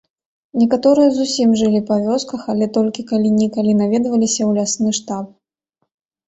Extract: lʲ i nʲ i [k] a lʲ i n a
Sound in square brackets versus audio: correct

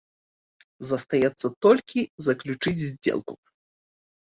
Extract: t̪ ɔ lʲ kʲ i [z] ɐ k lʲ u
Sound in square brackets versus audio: correct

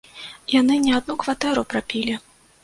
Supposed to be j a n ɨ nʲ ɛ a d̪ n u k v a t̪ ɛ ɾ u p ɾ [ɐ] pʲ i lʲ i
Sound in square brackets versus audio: incorrect: a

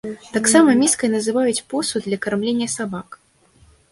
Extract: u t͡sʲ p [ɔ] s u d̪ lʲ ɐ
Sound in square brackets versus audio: correct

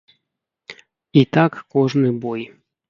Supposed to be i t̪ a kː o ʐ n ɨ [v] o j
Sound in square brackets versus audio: incorrect: b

